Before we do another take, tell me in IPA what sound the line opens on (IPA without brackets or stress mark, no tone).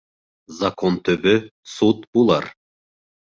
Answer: z